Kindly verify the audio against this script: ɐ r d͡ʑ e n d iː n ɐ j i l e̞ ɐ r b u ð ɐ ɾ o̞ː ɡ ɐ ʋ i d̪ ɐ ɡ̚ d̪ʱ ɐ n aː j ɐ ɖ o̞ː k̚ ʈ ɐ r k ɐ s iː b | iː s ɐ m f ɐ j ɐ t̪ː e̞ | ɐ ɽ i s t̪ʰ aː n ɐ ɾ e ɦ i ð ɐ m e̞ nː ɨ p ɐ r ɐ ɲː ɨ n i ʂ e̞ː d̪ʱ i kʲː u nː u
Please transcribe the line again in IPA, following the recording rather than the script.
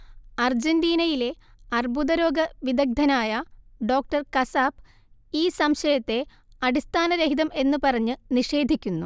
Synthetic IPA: ɐ r d͡ʑ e n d iː n ɐ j i l e̞ ɐ r b u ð ɐ ɾ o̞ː ɡ ɐ ʋ i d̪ ɐ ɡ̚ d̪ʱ ɐ n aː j ɐ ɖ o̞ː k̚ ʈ ɐ r k ɐ s aː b | iː s ɐ m ɕ ɐ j ɐ t̪ː e̞ | ɐ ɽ i s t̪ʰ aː n ɐ ɾ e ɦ i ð ɐ m e̞ nː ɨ p ɐ r ɐ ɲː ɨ n i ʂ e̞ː d̪ʱ i kʲː u nː u

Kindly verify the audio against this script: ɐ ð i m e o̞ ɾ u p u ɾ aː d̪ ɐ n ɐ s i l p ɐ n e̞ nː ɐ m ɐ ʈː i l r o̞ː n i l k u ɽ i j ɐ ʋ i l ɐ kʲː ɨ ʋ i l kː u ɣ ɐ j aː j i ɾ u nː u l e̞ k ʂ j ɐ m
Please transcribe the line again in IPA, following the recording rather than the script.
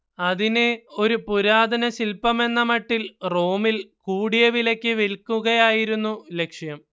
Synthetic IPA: ɐ ð i n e o̞ ɾ u p u ɾ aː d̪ ɐ n ɐ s i l p ɐ m e̞ nː ɐ m ɐ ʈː i l r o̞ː m i l k uː ɽ i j ɐ ʋ i l ɐ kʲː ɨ ʋ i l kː u ɣ ɐ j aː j i ɾ u nː u l e̞ k ʂ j ɐ m

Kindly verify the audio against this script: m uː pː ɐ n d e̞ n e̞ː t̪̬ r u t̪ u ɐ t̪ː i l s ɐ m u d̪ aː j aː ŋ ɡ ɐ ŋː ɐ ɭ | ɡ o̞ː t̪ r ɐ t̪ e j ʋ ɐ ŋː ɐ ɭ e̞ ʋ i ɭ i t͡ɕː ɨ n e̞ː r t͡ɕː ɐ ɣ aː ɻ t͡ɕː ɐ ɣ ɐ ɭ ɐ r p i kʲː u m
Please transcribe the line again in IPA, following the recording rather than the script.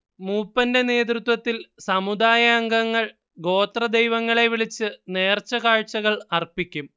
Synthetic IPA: m uː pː ɐ n d e̞ n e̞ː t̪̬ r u t̪ w ɐ t̪ː i l s ɐ m u d̪ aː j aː ŋ ɡ ɐ ŋː ɐ ɭ | ɡ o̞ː t̪ r ɐ d̪ e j ʋ ɐ ŋː ɐ ɭ e̞ ʋ i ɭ i t͡ɕː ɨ n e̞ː r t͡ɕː ɐ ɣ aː ɻ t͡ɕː ɐ ɣ ɐ ɭ ɐ r p i kʲː u m

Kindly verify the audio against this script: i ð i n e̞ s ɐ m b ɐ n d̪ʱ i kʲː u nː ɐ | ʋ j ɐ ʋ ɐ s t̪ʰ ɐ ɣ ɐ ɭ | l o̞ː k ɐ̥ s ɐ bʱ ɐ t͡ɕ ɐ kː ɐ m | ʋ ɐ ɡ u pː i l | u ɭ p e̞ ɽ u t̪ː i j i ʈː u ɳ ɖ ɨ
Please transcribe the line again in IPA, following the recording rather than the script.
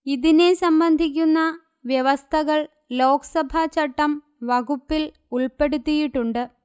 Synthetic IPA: i ð i n e̞ s ɐ m b ɐ n d̪ʱ i kʲː u nː ɐ | ʋ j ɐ ʋ ɐ s t̪ʰ ɐ ɣ ɐ ɭ | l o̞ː k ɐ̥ s ɐ bʱ ɐ t͡ɕ ɐ ʈː ɐ m | ʋ ɐ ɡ u pː i l | u ɭ p e̞ ɽ u t̪ː i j i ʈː u ɳ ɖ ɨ

